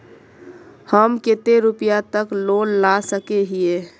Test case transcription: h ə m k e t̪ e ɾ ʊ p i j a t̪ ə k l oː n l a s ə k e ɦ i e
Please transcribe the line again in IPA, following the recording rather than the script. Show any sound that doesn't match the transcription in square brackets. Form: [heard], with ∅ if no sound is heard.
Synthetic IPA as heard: h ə m k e t̪ e ɾ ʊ p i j a t̪ ə k l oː n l a s ə k e ɦ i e